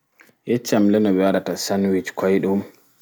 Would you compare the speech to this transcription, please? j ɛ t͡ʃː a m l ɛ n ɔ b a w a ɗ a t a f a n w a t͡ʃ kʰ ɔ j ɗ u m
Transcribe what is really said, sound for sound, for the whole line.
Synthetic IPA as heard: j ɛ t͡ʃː a m l ɛ n ɔ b ɛ w a ɗ a t a s a n w i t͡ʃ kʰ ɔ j ɗ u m